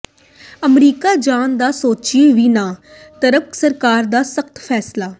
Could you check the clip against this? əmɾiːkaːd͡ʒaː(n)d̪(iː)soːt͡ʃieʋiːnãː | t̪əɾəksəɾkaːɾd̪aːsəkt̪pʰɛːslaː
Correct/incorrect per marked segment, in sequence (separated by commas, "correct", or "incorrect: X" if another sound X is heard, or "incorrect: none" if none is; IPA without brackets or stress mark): correct, incorrect: aː